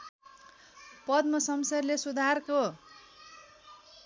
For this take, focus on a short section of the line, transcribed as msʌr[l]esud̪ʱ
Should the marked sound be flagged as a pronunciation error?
no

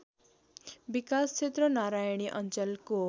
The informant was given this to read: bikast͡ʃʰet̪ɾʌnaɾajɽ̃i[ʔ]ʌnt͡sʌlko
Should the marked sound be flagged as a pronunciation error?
no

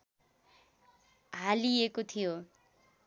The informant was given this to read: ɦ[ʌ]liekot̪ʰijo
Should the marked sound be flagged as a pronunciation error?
yes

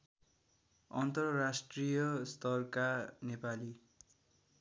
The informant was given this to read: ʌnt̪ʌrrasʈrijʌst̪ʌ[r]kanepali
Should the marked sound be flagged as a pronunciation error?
no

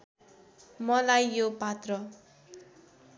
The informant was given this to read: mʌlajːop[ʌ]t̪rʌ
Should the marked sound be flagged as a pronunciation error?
yes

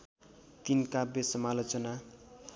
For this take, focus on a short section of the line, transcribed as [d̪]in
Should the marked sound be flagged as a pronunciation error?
yes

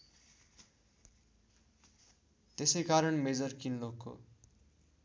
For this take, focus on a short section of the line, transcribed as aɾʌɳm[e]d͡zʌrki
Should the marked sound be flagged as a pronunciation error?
no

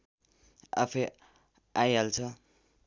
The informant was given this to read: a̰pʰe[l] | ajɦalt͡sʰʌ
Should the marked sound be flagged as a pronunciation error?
yes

